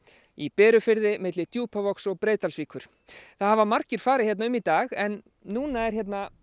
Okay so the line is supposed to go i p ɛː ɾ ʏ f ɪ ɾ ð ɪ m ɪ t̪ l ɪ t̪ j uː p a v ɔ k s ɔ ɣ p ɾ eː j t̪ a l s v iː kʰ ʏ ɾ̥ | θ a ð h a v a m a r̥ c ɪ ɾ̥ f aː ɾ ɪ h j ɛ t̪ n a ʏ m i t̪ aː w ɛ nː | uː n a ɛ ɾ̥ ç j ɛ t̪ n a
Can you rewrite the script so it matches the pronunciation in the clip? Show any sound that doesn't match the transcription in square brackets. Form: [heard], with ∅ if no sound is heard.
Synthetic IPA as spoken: i p ɛː ɾ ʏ f ɪ ɾ ð ɪ m ɪ t̪ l ɪ t̪ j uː p a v ɔ k s ɔ ɣ p ɾ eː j t̪ a l s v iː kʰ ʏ ɾ̥ | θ a ð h a v a m a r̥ c ɪ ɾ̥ f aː ɾ ɪ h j ɛ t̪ n a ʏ m i t̪ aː [ɣ] ɛ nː | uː n a ɛ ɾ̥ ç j ɛ t̪ n a